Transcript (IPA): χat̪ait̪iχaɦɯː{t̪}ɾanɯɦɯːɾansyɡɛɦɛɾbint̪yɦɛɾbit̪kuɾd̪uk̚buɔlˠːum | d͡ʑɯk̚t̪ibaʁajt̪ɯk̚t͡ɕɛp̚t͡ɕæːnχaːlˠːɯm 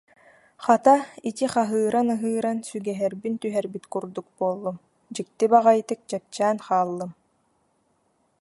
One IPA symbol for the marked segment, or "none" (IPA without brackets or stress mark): none